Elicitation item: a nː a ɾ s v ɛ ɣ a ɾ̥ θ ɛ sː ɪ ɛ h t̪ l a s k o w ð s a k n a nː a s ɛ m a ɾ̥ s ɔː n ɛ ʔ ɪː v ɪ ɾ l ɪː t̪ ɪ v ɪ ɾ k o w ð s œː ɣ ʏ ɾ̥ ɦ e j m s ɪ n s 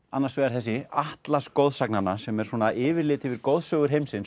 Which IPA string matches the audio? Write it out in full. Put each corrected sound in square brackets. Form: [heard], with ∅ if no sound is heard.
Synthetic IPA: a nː a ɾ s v ɛ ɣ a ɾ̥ θ ɛ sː ɪ [a] h t̪ l a s k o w ð s a k n a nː a s ɛ m [ɛ] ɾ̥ s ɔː n [a] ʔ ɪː v ɪ ɾ l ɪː t̪ ɪ v ɪ ɾ k o w ð s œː ɣ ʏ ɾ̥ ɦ e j m s ɪ n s